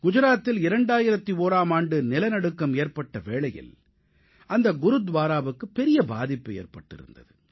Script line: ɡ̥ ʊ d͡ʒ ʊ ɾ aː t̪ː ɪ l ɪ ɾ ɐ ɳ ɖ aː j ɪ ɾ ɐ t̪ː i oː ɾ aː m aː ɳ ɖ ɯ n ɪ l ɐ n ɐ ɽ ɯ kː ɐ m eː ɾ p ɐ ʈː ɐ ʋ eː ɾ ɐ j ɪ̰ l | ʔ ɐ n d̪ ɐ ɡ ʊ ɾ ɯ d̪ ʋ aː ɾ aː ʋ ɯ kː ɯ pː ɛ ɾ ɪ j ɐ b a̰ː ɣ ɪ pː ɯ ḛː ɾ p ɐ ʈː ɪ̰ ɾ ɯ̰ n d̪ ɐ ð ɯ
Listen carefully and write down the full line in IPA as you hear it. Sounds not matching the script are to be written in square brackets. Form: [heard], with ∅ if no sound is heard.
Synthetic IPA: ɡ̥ ʊ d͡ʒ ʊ ɾ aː t̪ː ɪ l ɪ ɾ ɐ ɳ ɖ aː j ɪ ɾ ɐ t̪ː i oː ɾ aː m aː ɳ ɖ ɯ n ɪ l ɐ n ɐ ɽ ɯ kː ɐ m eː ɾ p ɐ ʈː ɐ ʋ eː [ɭ] ɐ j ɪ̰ l | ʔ ɐ n d̪ ɐ ɡ ʊ ɾ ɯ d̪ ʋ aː ɾ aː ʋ ɯ kː ɯ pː ɛ ɾ ɪ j ɐ b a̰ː [ð] ɪ pː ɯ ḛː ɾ p ɐ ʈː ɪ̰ ɾ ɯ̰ n d̪ ɐ ð ɯ